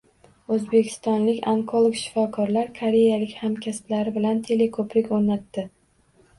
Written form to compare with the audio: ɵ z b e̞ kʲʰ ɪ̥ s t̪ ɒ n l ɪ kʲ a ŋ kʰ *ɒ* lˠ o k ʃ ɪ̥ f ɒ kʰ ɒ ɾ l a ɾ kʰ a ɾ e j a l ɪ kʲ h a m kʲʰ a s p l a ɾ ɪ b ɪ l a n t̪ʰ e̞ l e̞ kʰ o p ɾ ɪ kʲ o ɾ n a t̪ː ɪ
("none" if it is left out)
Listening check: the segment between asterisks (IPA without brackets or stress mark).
o